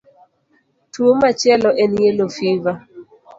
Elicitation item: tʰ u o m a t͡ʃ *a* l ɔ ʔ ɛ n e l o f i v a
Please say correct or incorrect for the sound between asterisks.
incorrect